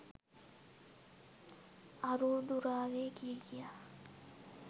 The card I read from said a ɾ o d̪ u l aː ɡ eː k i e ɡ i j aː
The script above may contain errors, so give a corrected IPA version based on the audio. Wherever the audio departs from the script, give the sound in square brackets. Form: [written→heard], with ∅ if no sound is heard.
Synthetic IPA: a ɾ [o→u] d̪ u [l→ɾ] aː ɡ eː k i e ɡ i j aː